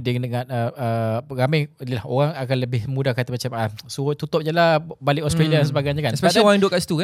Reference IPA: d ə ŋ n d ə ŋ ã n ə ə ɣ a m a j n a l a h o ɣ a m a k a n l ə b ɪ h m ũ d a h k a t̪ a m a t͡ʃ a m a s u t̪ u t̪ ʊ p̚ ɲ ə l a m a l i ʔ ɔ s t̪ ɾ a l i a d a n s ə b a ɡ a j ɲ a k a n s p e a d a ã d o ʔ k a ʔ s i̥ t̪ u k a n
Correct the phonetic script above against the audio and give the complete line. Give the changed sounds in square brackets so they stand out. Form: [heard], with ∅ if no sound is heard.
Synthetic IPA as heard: d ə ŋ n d ə ŋ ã n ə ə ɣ a m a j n [i] l a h o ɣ a [ŋ] a k a n l ə b ɪ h m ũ d a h k a t̪ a m a t͡ʃ a m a s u t̪ u t̪ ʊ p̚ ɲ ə l a [b] a l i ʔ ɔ s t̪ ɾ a l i a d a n s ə b a ɡ a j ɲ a k a n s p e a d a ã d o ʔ k a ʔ s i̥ t̪ u k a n